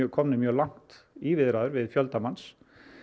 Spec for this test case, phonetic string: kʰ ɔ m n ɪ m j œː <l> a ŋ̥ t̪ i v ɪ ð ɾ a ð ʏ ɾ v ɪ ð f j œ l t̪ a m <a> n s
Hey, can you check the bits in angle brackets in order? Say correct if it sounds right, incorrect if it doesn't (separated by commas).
correct, correct